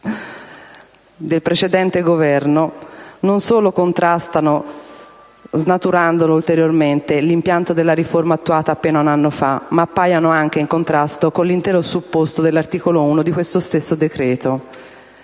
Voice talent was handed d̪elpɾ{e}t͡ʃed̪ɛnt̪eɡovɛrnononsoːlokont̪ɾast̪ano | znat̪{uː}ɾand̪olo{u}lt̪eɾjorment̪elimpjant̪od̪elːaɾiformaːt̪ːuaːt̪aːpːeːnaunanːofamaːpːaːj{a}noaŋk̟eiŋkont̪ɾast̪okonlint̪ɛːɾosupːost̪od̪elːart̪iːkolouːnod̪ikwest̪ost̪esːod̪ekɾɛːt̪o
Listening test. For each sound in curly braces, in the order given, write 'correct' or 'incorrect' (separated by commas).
correct, incorrect, correct, correct